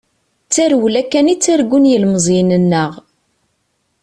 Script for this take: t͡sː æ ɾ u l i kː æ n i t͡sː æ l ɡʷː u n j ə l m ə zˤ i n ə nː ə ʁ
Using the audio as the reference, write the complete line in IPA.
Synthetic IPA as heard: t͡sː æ ɾ w l æ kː æ n i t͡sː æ ɾ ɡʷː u n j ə l m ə zˤ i n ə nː ə ʁ